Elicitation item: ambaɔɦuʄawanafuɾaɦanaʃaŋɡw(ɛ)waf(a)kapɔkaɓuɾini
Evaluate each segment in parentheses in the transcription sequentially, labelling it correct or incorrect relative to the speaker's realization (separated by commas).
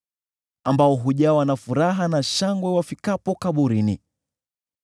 correct, incorrect